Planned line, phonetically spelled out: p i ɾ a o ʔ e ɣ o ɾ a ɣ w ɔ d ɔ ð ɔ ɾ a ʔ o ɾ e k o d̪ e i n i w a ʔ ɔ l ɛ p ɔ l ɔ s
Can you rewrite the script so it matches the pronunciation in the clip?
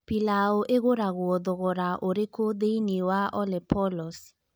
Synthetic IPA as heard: p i l a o ʔ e ɣ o ɾ a ɣ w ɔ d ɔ ɣ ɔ ɾ a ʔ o ɾ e k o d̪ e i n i w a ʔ ɔ l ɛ p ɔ l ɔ s